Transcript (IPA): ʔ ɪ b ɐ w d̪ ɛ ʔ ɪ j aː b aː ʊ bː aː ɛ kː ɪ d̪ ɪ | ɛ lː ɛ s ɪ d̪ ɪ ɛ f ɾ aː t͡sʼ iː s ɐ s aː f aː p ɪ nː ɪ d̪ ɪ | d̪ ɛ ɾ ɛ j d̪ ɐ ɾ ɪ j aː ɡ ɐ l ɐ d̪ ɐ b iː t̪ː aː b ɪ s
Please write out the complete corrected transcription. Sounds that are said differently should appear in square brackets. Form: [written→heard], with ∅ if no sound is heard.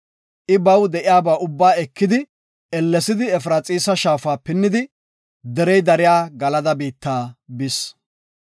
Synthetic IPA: ʔ ɪ b ɐ w d̪ ɛ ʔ ɪ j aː b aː ʊ bː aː ɛ kː ɪ d̪ ɪ | ɛ lː ɛ s ɪ d̪ ɪ ɛ f ɾ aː t͡sʼ iː s ɐ [s→ʃ] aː f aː p ɪ nː ɪ d̪ ɪ | d̪ ɛ ɾ ɛ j d̪ ɐ ɾ ɪ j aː ɡ ɐ l ɐ d̪ ɐ b iː t̪ː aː b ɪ s